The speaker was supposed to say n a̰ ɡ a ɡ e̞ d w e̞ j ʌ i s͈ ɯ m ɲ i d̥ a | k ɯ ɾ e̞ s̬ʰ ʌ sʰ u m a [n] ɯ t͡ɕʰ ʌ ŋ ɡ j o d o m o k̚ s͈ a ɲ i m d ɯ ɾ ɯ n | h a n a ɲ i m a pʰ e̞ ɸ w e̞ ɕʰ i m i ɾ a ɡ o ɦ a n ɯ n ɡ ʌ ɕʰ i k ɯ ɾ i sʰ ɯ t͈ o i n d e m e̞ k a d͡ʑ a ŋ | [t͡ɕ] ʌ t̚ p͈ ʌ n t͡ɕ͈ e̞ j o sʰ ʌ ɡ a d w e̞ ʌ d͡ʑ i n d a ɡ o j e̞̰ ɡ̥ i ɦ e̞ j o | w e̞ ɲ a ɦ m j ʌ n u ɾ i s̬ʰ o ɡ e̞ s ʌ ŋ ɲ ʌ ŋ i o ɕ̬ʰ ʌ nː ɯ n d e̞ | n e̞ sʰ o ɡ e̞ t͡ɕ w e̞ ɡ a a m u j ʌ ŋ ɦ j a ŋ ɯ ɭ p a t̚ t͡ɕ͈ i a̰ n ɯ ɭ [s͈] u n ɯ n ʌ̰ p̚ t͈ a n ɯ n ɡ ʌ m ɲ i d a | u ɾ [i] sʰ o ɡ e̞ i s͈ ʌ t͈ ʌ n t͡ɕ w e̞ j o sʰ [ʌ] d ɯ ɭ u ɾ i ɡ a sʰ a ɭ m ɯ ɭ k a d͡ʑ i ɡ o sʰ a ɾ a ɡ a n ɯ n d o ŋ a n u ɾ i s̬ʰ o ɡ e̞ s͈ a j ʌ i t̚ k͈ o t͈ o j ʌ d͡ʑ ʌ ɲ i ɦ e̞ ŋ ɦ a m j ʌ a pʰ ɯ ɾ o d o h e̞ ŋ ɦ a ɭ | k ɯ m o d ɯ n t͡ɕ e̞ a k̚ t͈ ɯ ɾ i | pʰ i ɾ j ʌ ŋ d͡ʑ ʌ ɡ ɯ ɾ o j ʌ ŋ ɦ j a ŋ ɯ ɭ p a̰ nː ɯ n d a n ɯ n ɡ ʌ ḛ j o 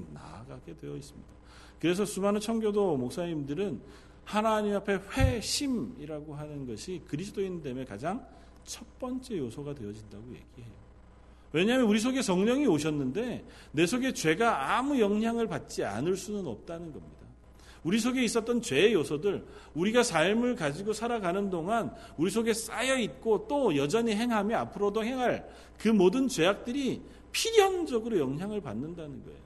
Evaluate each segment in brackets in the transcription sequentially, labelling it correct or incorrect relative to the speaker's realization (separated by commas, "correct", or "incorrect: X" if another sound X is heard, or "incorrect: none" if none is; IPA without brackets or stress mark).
correct, incorrect: t͡ɕʰ, correct, correct, correct